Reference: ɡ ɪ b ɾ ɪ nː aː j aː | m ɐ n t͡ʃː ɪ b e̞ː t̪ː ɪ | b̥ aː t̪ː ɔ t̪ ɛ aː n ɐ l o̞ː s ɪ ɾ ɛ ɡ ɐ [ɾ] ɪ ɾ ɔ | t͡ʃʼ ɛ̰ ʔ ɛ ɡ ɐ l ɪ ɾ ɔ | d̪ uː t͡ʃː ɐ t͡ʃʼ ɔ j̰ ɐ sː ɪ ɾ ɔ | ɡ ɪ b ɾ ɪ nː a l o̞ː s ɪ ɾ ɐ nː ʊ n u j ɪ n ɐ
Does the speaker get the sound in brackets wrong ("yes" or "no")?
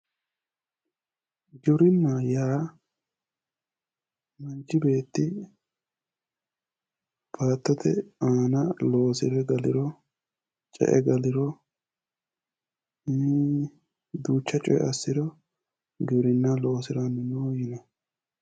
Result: yes